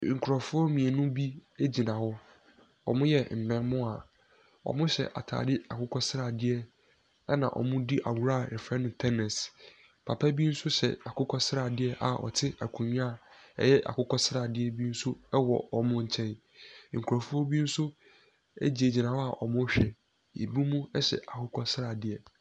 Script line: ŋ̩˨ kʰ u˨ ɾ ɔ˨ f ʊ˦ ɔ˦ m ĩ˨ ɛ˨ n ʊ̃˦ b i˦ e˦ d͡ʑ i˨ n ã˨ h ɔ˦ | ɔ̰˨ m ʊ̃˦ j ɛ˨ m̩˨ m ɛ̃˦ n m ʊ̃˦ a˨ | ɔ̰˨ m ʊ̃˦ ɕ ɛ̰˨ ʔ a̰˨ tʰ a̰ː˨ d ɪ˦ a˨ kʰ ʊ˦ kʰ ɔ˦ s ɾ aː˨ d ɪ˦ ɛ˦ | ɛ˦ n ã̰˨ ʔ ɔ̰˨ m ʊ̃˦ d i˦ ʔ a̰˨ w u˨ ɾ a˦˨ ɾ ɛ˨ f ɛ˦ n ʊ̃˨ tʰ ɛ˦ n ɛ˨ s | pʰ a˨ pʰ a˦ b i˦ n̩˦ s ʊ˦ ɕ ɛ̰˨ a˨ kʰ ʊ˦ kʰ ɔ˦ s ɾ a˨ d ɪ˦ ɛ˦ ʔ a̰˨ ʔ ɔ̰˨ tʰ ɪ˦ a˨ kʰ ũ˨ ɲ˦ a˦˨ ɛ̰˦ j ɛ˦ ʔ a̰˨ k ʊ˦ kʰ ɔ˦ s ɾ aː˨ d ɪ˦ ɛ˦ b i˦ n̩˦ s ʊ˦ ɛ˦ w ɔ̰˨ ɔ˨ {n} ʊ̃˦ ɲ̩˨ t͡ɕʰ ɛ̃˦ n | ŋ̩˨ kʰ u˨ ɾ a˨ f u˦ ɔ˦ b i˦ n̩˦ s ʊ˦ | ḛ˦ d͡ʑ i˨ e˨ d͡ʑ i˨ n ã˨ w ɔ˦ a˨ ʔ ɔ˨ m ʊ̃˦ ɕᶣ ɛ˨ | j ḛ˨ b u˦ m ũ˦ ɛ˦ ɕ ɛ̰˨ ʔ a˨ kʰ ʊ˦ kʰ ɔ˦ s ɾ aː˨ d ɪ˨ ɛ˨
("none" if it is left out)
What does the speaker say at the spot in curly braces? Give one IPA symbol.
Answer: m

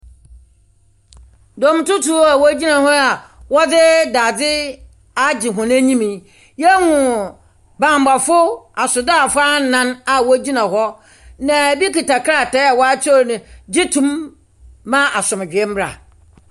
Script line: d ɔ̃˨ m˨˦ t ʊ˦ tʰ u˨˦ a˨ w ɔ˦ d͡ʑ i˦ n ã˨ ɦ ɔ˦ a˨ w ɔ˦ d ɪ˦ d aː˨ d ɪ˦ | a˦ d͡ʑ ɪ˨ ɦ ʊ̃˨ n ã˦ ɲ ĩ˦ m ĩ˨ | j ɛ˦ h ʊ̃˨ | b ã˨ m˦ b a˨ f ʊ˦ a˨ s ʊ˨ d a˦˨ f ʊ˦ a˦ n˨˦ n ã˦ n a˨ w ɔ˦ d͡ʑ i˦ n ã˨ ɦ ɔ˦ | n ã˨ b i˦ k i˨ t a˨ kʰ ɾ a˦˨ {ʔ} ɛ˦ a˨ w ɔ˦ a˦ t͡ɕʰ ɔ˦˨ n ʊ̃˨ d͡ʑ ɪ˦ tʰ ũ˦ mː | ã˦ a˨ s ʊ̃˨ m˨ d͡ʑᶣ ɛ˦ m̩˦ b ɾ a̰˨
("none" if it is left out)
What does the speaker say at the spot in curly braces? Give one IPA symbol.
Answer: t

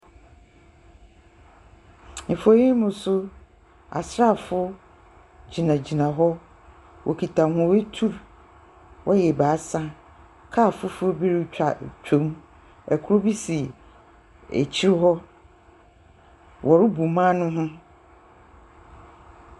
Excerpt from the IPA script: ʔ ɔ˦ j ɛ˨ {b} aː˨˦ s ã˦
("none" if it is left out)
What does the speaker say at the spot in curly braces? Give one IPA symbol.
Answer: b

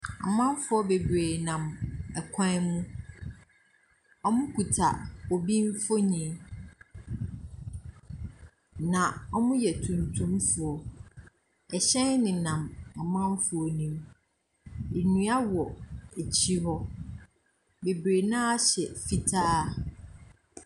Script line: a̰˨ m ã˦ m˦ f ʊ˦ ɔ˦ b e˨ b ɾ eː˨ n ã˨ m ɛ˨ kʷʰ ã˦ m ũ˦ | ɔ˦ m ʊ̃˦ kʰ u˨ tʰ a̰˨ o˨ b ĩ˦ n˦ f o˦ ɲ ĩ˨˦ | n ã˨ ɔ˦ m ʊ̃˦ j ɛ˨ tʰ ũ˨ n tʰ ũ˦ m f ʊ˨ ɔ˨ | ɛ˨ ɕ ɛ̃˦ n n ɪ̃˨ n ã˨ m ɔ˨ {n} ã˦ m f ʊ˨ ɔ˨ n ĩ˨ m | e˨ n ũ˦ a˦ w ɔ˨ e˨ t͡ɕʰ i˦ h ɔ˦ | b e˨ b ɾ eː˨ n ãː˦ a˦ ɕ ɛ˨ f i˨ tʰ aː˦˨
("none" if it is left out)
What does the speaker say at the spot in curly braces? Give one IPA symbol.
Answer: m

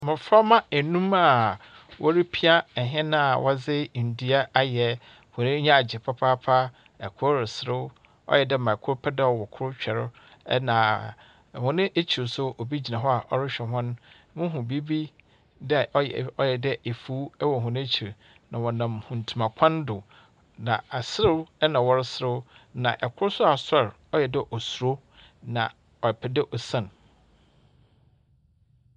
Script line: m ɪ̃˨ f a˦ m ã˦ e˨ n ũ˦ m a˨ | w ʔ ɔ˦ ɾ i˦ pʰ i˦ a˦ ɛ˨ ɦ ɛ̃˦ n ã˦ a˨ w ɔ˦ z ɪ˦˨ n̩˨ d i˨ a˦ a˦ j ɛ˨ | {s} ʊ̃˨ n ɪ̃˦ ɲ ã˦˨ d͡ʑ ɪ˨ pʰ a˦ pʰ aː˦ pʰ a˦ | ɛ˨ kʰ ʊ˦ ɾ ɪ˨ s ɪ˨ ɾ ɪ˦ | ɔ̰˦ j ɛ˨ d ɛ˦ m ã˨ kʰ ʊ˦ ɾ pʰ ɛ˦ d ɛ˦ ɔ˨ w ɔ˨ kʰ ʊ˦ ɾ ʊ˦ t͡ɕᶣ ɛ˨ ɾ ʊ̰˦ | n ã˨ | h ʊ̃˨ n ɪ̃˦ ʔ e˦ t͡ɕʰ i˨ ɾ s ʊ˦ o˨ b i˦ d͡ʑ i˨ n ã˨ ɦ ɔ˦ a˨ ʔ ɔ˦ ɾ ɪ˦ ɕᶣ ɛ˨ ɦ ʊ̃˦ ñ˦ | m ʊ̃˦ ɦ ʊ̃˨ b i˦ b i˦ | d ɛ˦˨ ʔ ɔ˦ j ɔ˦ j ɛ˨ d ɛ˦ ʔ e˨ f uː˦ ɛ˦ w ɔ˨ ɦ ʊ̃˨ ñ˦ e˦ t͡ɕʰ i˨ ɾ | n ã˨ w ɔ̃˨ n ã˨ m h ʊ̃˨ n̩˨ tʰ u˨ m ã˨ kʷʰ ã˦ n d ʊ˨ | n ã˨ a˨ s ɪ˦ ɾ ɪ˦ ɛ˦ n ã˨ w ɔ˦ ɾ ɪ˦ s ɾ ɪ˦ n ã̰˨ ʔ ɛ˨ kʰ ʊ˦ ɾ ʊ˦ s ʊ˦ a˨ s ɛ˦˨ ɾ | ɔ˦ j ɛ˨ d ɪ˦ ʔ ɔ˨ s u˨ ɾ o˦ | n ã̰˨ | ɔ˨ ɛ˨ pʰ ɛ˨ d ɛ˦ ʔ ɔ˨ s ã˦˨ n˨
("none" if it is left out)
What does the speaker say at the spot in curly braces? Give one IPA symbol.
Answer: h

